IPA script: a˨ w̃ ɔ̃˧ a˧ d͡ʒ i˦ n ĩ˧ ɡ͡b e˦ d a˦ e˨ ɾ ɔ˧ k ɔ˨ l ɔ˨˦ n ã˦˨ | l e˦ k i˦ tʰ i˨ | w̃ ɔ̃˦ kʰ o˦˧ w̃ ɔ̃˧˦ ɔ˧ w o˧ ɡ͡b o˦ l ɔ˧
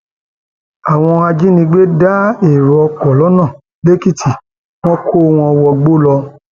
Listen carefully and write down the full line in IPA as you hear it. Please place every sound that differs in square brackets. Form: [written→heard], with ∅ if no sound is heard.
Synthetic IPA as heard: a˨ w̃ ɔ̃˧ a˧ d͡ʒ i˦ n ĩ˧ ɡ͡b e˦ d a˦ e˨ ɾ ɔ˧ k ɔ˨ l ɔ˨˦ n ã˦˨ | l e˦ k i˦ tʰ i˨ | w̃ ɔ̃˦ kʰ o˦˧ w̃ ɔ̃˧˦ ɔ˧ w [o˧→ɔ˧] ɡ͡b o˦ l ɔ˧